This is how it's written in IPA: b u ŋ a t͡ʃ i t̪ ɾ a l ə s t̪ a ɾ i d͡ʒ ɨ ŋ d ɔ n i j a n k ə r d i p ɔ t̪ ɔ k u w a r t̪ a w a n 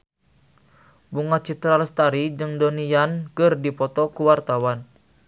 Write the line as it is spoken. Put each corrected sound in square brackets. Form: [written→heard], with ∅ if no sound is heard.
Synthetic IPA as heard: b u ŋ a t͡ʃ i t̪ ɾ a l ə s t̪ a ɾ i d͡ʒ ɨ ŋ d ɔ n i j a n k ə r d i p ɔ t̪ ɔ k u w a r t̪ a w a n